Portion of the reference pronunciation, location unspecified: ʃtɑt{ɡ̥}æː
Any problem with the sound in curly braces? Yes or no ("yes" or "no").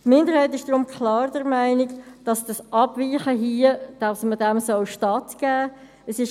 no